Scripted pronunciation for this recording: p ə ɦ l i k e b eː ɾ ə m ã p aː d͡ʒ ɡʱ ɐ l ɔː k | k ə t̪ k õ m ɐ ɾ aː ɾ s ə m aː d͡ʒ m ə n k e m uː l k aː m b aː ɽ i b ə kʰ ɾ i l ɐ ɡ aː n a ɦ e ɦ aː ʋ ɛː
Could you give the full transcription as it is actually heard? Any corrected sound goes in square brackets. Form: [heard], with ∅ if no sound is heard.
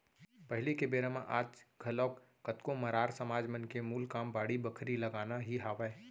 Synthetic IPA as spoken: p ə ɦ l i k e b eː ɾ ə m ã [ʔ] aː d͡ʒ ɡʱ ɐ l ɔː k | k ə t̪ k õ m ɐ ɾ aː ɾ s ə m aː d͡ʒ m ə n k e m uː l k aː m b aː ɽ i b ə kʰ ɾ i l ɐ ɡ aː n a ɦ [i] ɦ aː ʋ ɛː